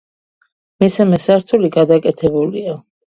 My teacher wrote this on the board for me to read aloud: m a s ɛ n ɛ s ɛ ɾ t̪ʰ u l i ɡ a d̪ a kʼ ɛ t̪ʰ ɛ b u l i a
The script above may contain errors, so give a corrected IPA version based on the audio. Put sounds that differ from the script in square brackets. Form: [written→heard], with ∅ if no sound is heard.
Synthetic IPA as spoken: m [a→i] s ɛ [n→m] ɛ s [ɛ→a] ɾ t̪ʰ u l i ɡ a d̪ a kʼ ɛ t̪ʰ ɛ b u l i a